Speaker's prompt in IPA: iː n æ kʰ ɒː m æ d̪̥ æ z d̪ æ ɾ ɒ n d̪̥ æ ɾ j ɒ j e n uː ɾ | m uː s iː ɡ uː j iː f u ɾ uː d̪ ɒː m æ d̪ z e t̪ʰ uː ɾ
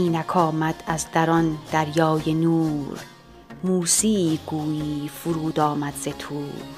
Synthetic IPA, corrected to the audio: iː n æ kʰ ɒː m æ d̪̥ æ z d̪ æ ɾ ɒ n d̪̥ æ ɾ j ɒː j e n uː ɾ | m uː s iː ɡ uː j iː f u ɾ uː d̪ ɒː m æ d̪ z e t̪ʰ uː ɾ